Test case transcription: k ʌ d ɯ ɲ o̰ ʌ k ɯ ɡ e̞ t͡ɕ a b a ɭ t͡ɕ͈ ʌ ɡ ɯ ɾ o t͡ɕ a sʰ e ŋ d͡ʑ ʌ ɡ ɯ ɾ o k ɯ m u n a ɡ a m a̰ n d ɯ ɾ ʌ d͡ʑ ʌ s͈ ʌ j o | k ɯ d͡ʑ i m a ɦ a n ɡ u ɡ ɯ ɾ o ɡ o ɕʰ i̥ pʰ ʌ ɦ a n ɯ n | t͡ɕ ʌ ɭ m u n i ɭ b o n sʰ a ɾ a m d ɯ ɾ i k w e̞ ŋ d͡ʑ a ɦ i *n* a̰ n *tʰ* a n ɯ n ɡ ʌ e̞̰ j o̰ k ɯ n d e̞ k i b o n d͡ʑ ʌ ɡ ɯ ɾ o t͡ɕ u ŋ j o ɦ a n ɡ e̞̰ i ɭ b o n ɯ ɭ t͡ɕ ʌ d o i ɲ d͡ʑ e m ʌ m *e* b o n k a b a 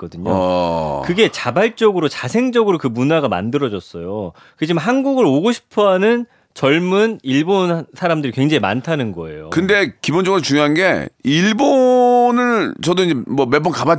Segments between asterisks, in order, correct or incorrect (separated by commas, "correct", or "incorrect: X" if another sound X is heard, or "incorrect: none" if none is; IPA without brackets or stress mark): incorrect: m, correct, correct